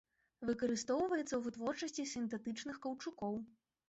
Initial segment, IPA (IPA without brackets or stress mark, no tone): v